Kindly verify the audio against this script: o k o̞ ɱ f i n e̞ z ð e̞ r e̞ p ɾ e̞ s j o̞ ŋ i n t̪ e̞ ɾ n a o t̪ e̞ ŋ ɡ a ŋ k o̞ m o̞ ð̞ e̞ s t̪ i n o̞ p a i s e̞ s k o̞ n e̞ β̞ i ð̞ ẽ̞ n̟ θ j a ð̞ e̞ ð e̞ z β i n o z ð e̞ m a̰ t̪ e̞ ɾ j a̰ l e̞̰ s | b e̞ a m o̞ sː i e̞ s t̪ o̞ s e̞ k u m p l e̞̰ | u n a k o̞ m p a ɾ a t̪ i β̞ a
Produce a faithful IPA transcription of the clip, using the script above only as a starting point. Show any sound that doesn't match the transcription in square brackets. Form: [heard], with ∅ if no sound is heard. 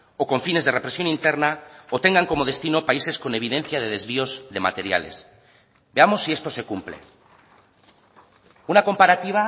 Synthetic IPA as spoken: o k o̞ ɱ f i n e̞ z ð e̞ r e̞ p ɾ e̞ s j o̞ [n] i n t̪ e̞ ɾ n a o t̪ e̞ ŋ ɡ a ŋ k o̞ m o̞ ð̞ e̞ s t̪ i n o̞ p a i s e̞ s k o̞ n e̞ β̞ i ð̞ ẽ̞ n̟ θ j a ð̞ e̞ ð e̞ z β i [∅] o z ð e̞ m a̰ t̪ e̞ ɾ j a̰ l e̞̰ s | b e̞ a m o̞ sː i e̞ s t̪ o̞ s e̞ k u m p l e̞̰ | u n a k o̞ m p a ɾ a t̪ i β̞ a